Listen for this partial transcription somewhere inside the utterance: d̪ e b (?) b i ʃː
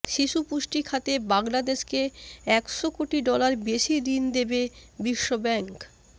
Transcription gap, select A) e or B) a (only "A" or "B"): A